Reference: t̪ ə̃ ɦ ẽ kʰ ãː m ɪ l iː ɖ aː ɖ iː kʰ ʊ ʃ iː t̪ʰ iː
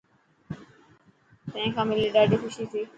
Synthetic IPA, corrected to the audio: t̪ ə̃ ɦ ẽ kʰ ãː m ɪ l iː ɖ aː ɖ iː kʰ ʊ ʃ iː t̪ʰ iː